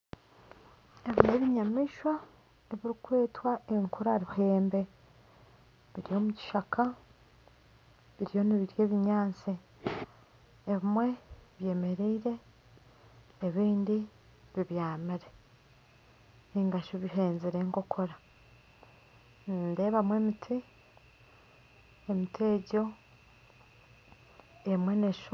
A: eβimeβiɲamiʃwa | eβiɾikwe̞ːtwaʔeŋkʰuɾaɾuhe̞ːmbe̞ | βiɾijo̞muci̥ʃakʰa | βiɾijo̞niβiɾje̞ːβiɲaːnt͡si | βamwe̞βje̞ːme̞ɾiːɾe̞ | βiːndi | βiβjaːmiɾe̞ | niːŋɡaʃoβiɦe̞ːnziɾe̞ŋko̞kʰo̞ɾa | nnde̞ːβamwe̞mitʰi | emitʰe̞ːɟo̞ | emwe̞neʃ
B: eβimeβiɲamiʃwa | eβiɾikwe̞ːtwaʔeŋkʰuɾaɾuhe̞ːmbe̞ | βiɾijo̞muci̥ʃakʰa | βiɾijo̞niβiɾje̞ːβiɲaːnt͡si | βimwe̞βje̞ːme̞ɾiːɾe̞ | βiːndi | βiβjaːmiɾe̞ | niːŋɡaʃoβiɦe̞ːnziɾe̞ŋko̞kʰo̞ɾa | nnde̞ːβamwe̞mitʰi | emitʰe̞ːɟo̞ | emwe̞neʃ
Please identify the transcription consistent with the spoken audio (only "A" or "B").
B